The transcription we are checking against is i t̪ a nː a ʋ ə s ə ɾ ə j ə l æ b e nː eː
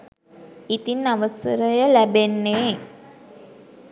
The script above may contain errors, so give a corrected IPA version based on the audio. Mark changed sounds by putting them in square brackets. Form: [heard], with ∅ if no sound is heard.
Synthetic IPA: i t̪ [i] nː a ʋ ə s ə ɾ ə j ə l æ b e nː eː

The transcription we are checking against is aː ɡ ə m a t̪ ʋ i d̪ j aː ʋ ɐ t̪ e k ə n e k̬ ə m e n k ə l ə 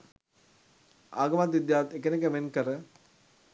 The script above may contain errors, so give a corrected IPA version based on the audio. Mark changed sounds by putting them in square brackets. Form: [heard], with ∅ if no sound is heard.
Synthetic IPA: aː ɡ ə m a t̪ ʋ i d̪ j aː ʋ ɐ t̪ e k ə n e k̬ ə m e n k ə [ɾ] ə

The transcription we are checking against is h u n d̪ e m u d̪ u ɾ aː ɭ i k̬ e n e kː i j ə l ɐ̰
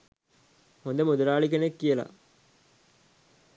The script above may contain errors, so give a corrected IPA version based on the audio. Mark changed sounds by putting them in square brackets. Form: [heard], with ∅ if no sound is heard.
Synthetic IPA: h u n d̪ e m u d̪ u ɾ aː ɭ i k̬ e n e kː i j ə l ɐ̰

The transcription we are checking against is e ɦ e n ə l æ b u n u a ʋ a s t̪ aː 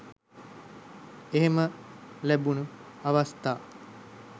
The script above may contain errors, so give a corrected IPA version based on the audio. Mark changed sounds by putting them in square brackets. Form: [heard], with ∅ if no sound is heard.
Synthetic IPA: e ɦ e [m] ə l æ b u n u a ʋ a s t̪ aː

